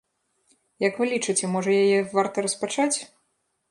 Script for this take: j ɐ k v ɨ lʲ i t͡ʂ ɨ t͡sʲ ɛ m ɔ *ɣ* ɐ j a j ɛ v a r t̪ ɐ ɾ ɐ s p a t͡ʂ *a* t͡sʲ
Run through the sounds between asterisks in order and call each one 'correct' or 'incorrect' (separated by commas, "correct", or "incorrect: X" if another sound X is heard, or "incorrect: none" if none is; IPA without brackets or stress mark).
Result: incorrect: ʐ, correct